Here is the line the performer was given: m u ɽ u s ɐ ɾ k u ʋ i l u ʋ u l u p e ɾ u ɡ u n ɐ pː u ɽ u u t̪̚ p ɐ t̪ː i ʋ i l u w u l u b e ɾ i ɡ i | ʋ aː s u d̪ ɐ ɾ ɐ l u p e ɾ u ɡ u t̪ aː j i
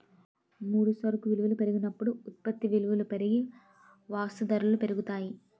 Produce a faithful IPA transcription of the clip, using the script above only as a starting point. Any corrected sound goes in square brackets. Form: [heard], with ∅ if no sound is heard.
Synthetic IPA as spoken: m [uː] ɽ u s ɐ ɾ k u ʋ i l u ʋ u l u p e ɾ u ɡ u n ɐ pː u ɽ u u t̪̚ p ɐ t̪ː i ʋ i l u [ʋ] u l u [p] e ɾ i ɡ i | ʋ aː s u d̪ ɐ ɾ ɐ l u p e ɾ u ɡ u t̪ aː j i